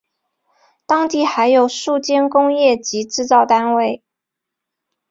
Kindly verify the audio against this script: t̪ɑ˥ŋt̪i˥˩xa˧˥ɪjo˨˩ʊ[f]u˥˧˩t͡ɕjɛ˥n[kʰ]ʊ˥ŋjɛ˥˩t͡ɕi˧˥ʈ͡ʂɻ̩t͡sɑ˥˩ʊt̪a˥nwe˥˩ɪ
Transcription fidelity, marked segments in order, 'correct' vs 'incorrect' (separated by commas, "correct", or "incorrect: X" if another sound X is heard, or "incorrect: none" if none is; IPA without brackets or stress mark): incorrect: ʂ, incorrect: k